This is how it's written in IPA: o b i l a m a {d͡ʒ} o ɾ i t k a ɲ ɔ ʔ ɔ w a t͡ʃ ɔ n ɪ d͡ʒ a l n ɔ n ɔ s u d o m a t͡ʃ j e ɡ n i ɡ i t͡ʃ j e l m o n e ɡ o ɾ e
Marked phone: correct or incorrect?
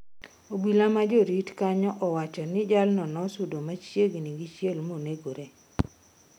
correct